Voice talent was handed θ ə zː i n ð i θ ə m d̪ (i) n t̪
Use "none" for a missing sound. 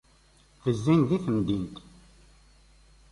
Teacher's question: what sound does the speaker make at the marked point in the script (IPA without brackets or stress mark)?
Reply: i